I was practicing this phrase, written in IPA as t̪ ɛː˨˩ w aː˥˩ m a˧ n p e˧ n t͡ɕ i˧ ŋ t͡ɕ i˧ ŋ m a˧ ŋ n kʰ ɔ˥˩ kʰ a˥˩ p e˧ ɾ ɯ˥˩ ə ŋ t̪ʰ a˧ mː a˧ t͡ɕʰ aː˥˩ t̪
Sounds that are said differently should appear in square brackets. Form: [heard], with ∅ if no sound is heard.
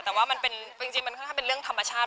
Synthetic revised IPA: t̪ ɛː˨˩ w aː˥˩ m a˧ n p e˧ n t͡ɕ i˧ ŋ t͡ɕ i˧ ŋ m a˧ [∅] n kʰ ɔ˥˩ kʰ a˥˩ p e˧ ɾ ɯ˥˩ ə ŋ t̪ʰ a˧ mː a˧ t͡ɕʰ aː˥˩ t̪